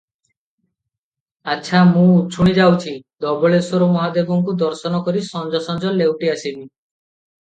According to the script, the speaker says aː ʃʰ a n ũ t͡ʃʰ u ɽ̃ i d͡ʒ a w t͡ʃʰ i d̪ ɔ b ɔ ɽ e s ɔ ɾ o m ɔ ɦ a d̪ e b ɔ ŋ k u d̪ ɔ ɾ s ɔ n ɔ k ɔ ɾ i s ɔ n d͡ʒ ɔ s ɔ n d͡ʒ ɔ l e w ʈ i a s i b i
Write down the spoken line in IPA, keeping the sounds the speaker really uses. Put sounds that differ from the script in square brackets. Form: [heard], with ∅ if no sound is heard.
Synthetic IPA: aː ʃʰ a [m] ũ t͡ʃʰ u ɽ̃ i d͡ʒ a w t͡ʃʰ i d̪ ɔ b ɔ [ɭ] e s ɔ ɾ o m ɔ ɦ a d̪ e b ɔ ŋ k u d̪ ɔ ɾ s ɔ n ɔ k ɔ ɾ i s ɔ n d͡ʒ ɔ s ɔ n d͡ʒ ɔ l e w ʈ i a s i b i